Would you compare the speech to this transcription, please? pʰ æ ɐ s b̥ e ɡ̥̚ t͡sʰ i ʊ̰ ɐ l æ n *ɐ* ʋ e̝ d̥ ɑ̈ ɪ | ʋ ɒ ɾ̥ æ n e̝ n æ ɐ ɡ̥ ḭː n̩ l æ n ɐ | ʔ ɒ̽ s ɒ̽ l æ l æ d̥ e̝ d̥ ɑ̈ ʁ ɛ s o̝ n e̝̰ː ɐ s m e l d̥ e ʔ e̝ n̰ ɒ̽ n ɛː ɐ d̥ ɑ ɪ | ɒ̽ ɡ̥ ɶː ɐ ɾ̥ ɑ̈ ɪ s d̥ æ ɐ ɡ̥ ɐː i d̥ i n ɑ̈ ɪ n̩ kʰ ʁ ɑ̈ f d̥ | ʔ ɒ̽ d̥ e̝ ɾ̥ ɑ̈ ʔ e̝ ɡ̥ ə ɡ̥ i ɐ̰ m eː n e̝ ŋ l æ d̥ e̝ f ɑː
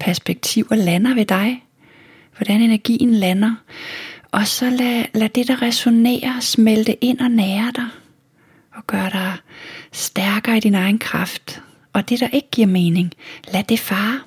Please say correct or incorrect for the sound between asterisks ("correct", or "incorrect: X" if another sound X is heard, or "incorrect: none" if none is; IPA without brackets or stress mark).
correct